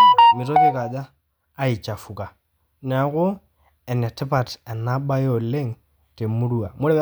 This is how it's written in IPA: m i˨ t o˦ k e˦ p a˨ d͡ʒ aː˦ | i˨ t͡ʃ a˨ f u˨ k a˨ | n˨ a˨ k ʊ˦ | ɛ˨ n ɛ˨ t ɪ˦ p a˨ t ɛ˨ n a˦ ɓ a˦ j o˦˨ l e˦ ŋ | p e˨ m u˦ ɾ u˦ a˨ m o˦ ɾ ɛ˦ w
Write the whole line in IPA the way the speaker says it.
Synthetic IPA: m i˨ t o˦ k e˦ k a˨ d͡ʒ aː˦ | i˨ t͡ʃ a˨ f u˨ k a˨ | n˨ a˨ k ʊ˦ | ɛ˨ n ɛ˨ t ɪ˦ p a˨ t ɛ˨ n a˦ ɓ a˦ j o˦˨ l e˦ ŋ | t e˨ m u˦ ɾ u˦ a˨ m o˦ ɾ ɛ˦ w